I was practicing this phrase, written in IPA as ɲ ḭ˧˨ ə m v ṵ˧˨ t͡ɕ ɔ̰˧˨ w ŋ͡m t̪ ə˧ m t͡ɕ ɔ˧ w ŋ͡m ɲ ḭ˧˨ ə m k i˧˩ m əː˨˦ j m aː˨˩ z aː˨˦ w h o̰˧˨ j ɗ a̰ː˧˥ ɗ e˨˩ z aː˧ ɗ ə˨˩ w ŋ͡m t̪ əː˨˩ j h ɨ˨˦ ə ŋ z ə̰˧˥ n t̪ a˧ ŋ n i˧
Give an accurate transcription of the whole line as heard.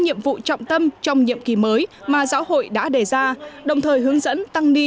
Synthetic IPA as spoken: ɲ ḭ˧˨ ə m v ṵ˧˨ t͡ɕ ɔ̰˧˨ w ŋ͡m t̪ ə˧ m t͡ɕ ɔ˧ w ŋ͡m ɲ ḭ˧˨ ə m k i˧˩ m əː˨˦ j m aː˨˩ z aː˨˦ w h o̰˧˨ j ɗ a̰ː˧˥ ɗ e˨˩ z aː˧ ɗ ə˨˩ w ŋ͡m t̪ʰ əː˨˩ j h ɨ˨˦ ə ŋ z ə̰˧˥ n t̪ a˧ ŋ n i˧